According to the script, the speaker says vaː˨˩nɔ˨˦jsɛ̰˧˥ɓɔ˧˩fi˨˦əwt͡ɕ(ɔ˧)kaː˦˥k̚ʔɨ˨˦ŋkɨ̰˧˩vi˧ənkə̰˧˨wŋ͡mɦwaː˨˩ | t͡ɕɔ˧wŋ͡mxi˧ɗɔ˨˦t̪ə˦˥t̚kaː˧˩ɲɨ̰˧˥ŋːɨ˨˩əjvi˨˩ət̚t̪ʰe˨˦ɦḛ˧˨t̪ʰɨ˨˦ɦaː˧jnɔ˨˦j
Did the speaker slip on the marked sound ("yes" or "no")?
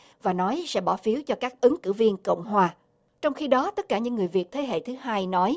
no